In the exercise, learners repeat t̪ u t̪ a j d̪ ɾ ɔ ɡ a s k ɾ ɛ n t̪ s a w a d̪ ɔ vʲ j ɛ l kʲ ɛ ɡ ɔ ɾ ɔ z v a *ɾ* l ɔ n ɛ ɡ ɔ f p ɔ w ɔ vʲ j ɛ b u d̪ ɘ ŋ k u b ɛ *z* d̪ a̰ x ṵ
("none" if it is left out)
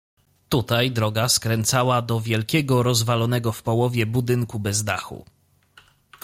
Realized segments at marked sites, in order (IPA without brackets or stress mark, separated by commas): none, z